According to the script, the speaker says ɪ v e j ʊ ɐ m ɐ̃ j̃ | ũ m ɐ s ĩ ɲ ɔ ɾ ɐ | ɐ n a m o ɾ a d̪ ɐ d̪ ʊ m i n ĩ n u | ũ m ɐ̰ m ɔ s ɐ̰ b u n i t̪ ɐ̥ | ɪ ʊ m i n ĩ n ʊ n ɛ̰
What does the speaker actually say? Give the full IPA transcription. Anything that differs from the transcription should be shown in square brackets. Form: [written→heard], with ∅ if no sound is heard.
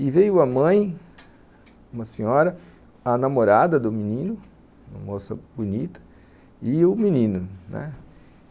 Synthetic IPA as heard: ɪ v e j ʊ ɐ m ɐ̃ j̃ | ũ m ɐ s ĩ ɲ ɔ ɾ ɐ | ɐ n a m o ɾ a d̪ ɐ d̪ ʊ m i n ĩ n [u→ʊ] | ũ m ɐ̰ m [ɔ→o] s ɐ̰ b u n i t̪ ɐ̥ | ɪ ʊ m i n ĩ n ʊ n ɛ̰

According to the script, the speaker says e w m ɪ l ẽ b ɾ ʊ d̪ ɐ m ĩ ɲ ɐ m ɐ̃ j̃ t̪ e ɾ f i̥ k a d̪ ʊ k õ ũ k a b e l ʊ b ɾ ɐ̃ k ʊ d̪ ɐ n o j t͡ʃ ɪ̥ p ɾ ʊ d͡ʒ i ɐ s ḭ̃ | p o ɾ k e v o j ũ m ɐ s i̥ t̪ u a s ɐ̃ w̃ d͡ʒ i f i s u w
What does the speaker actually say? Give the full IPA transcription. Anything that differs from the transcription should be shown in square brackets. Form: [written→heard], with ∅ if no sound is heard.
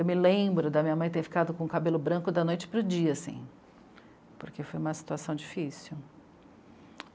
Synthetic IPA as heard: e w m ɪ l ẽ b ɾ ʊ d̪ ɐ m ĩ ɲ ɐ m ɐ̃ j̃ t̪ e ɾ f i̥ k a d̪ ʊ k õ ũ k a b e l ʊ b ɾ ɐ̃ k ʊ d̪ ɐ n o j t͡ʃ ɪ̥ p ɾ ʊ d͡ʒ i ɐ s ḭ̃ | p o ɾ k e [v→f] o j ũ m ɐ s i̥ t̪ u a s ɐ̃ w̃ d͡ʒ i f i s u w

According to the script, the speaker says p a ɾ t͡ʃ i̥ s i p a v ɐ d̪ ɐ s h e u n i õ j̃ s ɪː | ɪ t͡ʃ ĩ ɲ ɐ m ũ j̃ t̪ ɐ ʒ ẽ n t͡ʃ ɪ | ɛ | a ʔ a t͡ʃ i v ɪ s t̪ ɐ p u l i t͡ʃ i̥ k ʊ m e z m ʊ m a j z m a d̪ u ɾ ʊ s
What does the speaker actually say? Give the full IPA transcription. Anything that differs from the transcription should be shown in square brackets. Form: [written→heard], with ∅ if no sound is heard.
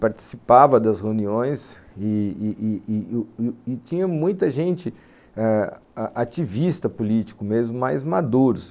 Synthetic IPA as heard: p a ɾ t͡ʃ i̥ s i p a v ɐ d̪ ɐ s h e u n i õ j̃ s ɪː | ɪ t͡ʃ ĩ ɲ ɐ m ũ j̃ t̪ ɐ ʒ ẽ n t͡ʃ ɪ | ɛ | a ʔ a t͡ʃ i v [ɪ→i] s t̪ ɐ p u l i t͡ʃ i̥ k ʊ m e z m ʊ m a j z m a d̪ u ɾ ʊ s

